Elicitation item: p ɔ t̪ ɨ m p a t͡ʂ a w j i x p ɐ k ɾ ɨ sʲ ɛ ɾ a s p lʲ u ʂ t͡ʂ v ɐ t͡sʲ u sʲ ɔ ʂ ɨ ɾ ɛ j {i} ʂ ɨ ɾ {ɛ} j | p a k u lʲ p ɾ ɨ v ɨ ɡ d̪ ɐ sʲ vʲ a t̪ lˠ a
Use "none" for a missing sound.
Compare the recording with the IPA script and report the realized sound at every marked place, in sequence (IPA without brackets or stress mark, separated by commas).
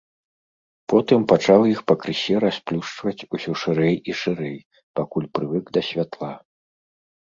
i, ɛ